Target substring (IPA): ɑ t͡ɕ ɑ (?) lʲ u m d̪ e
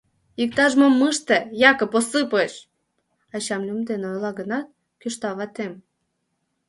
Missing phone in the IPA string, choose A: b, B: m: B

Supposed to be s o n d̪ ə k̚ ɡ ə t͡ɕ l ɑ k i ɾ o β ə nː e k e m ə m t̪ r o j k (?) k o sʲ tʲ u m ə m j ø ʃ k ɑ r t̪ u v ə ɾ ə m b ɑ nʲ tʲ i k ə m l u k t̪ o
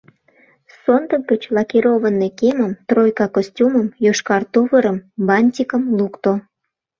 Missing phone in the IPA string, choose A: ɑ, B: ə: A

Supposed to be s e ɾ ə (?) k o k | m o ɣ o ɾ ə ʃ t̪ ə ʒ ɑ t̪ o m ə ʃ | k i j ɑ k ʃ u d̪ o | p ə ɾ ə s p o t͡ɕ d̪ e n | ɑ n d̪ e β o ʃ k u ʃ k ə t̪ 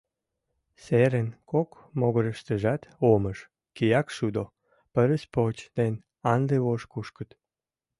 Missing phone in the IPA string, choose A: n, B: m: A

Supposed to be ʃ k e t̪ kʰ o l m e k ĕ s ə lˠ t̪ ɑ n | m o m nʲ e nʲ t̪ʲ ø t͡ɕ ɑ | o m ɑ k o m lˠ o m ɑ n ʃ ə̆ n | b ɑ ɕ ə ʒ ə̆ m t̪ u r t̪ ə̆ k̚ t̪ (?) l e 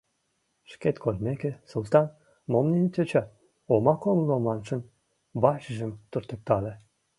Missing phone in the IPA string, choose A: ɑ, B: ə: A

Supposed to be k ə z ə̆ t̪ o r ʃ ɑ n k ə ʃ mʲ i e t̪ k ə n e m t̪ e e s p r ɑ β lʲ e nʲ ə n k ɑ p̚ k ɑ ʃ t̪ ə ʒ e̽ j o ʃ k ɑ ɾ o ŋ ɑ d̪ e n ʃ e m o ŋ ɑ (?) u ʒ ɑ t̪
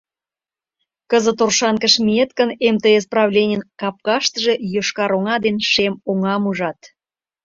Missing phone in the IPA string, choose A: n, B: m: B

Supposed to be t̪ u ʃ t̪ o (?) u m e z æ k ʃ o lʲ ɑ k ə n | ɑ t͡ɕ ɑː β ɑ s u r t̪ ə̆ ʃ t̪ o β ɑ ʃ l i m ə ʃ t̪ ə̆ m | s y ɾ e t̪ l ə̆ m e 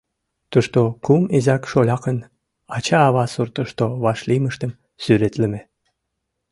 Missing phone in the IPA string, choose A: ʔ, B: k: B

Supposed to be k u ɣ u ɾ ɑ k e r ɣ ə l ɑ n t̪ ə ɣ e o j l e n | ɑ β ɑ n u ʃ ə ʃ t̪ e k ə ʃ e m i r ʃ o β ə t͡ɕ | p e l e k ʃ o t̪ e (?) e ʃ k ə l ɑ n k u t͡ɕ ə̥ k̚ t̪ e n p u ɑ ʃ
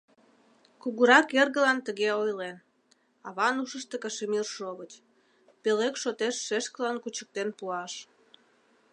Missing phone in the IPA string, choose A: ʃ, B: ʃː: B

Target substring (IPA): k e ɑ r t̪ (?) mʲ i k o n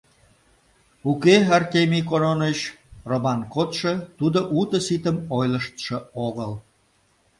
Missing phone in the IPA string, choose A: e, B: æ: A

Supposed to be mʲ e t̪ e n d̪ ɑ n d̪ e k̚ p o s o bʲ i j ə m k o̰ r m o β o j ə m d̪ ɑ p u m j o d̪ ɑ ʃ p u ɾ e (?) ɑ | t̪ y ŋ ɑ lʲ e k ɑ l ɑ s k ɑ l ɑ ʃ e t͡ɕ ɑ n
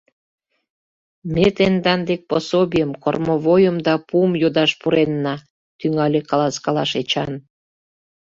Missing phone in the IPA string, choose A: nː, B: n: A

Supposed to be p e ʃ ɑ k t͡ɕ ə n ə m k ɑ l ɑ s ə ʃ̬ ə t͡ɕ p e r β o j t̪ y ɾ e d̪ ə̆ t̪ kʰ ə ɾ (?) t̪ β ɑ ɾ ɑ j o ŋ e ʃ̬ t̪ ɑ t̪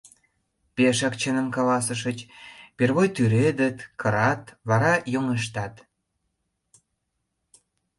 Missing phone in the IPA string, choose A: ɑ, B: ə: A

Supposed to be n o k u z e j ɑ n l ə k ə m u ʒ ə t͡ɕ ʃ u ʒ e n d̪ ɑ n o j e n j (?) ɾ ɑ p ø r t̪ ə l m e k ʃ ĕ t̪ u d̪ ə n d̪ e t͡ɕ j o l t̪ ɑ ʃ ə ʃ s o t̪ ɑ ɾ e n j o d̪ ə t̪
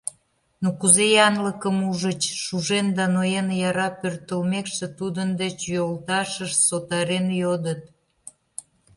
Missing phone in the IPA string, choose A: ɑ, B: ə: A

